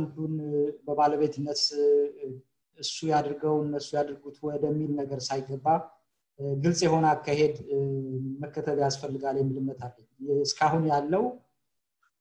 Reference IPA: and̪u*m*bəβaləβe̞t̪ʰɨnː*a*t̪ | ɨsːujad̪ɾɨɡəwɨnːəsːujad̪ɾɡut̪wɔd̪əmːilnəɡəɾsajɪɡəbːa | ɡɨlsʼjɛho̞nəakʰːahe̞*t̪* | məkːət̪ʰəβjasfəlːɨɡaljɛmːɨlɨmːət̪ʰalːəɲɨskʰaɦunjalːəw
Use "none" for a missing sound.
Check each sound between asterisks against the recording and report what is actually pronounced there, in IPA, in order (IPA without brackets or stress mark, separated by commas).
n, ə, d̪